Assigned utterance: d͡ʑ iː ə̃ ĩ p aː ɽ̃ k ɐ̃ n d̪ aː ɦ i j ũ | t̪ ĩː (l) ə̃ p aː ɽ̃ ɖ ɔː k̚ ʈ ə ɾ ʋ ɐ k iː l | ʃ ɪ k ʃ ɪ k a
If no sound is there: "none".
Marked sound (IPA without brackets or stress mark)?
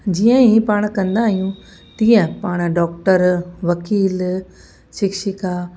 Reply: none